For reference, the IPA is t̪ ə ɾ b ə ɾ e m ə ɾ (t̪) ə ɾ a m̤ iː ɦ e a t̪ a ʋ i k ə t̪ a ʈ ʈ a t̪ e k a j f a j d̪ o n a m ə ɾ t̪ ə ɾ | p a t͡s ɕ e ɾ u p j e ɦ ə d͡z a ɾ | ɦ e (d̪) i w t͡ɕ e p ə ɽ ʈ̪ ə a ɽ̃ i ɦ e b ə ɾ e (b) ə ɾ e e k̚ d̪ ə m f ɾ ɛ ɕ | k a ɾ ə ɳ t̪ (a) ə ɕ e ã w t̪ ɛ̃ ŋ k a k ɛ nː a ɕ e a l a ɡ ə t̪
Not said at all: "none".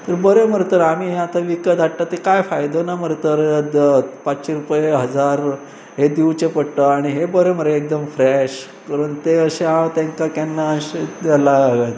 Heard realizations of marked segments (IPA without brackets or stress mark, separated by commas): t̪, d̪, m, e